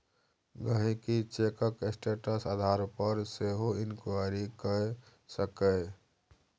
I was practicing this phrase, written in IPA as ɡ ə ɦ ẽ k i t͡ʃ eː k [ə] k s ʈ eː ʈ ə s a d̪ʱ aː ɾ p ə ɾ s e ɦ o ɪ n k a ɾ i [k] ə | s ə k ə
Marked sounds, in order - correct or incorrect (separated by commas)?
correct, correct